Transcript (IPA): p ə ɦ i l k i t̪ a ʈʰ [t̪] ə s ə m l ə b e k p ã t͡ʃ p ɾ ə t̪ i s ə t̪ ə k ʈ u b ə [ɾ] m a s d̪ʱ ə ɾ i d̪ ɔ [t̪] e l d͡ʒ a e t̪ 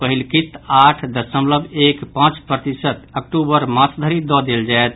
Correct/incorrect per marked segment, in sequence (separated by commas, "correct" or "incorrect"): incorrect, correct, incorrect